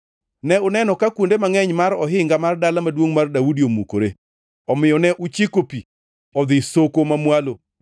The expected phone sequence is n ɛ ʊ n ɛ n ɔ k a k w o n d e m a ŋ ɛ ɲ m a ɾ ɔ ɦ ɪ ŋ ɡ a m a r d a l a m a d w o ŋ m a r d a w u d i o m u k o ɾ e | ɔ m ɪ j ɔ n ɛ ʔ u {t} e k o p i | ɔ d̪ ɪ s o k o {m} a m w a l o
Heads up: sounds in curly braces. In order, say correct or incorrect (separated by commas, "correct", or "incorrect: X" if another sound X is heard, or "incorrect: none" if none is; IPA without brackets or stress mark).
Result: incorrect: t͡ʃ, correct